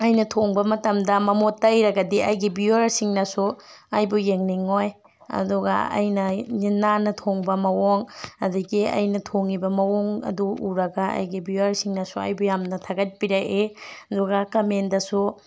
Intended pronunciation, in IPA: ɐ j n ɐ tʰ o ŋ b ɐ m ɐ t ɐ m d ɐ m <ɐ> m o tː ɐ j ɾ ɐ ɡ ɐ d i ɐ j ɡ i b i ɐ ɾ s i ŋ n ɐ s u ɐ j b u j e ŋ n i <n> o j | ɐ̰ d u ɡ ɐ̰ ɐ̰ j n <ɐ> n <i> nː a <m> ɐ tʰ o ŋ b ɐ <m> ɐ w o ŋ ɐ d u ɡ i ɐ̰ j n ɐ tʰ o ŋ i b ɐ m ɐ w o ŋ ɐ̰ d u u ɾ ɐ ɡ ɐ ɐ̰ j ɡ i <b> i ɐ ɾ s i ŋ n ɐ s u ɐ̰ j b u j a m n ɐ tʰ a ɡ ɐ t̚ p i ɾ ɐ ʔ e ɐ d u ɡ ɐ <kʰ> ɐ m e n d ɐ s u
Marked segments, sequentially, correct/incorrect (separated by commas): correct, incorrect, correct, correct, incorrect, correct, correct, incorrect